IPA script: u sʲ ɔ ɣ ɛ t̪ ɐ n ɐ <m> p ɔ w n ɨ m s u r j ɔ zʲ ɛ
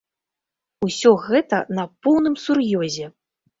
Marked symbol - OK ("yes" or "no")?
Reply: no